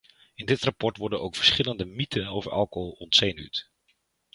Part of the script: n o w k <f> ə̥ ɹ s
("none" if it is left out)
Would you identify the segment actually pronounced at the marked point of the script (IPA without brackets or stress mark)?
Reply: f